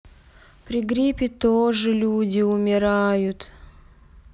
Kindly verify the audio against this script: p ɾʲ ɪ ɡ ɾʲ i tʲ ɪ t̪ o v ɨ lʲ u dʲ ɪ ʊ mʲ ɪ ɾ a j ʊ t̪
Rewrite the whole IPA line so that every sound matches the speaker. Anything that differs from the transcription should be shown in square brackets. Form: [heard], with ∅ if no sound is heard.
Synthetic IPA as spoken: p ɾʲ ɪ ɡ ɾʲ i [pʲ] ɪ t̪ o [ʐ] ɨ lʲ u dʲ ɪ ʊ mʲ ɪ ɾ a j ʊ t̪